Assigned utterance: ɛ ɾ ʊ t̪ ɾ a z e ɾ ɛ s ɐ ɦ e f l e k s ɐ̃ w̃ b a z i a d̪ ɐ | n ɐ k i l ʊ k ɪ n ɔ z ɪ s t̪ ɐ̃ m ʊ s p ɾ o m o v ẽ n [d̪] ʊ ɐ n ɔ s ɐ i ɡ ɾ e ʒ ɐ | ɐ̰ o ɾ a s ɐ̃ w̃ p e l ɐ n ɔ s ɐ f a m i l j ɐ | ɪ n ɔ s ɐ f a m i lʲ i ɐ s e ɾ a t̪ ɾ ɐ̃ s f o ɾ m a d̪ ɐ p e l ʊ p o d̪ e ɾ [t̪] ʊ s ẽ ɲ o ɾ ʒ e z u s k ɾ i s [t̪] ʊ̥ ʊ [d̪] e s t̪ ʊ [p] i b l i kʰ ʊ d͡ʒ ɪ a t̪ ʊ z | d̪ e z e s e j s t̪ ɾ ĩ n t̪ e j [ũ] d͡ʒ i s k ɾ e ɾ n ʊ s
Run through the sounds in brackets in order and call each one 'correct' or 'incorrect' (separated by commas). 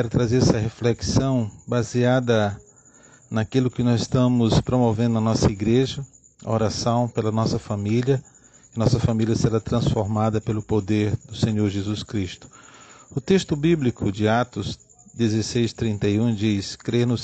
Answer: correct, incorrect, correct, incorrect, incorrect, correct